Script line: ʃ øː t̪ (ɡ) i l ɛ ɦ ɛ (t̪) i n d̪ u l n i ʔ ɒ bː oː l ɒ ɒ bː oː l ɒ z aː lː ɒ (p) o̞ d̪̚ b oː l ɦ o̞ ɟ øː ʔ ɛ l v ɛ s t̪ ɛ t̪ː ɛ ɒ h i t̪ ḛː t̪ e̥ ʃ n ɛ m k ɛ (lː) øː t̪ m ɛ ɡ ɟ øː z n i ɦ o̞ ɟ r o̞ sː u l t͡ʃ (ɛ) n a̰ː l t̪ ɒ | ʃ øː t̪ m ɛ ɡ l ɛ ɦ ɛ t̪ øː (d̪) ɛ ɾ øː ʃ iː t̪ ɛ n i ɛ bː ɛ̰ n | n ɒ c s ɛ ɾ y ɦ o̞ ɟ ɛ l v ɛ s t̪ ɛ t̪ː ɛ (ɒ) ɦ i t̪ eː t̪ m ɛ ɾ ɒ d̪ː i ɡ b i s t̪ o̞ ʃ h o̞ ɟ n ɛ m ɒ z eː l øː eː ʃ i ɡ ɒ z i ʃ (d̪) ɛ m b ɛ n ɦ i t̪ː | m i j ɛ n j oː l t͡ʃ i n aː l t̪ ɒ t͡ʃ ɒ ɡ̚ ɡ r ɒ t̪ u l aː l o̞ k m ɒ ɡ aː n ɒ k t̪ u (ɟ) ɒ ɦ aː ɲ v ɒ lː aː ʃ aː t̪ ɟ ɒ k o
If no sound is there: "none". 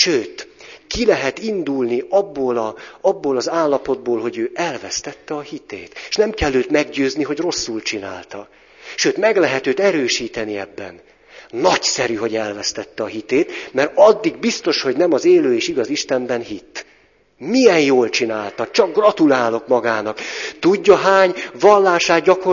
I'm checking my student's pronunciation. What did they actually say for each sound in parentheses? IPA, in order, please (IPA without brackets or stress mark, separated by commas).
k, t̪, p, lː, i, t̪, ɒ, t̪, ɟː